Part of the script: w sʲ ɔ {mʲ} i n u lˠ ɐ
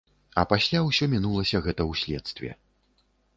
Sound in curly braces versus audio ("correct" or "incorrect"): correct